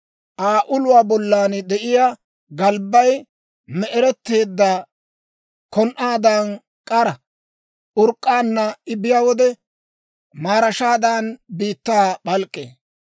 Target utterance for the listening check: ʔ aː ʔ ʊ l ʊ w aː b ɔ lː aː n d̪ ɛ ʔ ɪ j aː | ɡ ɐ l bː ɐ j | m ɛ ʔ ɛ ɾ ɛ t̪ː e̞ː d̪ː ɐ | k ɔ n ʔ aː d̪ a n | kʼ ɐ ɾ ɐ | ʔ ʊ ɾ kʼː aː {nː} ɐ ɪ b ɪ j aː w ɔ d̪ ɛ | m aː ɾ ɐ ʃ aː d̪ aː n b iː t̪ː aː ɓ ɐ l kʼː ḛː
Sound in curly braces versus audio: correct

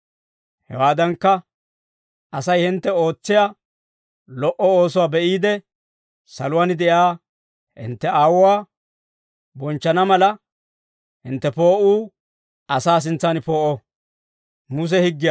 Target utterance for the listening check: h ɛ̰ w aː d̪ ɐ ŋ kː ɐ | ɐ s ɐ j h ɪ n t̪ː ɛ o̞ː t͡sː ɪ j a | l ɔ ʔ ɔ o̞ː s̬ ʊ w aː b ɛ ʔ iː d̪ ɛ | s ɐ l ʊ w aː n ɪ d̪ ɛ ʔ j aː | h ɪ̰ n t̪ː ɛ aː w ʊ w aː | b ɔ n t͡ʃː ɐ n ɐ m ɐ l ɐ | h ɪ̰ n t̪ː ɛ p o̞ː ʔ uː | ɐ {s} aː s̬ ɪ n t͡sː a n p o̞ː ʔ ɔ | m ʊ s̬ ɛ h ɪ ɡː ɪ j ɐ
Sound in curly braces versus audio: correct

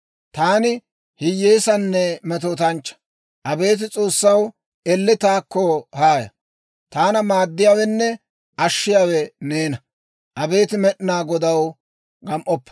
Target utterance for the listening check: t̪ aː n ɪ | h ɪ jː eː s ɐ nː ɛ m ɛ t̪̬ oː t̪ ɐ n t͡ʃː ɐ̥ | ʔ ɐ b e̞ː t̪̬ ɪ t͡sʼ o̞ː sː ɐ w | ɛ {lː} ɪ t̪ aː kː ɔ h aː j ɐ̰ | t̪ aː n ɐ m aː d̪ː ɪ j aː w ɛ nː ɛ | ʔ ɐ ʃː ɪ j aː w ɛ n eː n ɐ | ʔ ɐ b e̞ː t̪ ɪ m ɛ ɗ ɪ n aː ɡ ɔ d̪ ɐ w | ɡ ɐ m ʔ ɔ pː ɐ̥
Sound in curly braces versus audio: correct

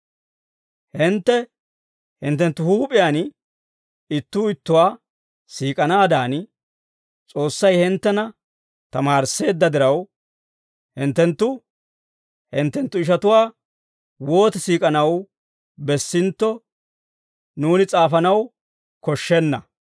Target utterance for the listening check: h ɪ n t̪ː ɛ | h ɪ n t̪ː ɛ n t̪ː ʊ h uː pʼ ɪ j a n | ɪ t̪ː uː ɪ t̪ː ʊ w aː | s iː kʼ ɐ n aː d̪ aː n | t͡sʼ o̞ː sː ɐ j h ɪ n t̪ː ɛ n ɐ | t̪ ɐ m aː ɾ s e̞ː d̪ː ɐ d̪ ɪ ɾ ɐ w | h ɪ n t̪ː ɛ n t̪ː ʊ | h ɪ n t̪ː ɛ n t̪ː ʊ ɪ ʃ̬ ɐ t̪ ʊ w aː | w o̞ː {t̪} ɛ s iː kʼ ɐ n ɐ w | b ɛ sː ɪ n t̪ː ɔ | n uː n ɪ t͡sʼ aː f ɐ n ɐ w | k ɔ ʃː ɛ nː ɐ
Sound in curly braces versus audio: correct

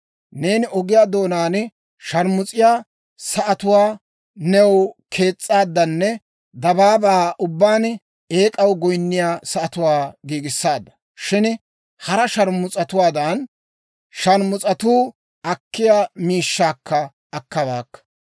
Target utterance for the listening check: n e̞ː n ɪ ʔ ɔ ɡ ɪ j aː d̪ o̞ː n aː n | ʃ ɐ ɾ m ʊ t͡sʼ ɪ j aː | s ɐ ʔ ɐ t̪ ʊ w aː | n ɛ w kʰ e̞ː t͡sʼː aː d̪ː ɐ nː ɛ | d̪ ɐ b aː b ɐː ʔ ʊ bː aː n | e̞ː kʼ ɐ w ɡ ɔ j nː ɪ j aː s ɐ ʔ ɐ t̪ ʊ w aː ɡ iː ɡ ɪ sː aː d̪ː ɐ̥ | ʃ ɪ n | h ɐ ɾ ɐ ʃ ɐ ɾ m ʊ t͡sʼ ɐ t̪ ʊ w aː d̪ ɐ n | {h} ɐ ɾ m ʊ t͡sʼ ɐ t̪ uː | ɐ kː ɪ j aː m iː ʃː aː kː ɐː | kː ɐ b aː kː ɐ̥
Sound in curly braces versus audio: incorrect: ʃ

